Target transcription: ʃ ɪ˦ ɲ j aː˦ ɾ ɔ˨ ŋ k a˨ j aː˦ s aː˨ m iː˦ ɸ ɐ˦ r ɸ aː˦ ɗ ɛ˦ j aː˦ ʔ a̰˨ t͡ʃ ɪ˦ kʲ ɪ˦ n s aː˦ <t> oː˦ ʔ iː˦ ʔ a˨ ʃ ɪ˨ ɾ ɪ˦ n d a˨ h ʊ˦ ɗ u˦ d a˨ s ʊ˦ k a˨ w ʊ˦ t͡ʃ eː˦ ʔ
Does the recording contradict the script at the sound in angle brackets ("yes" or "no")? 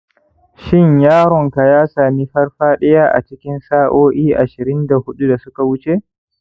yes